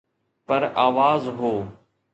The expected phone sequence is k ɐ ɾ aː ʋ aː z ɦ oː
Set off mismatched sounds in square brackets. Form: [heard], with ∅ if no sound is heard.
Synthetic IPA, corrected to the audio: [p] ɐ ɾ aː ʋ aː z ɦ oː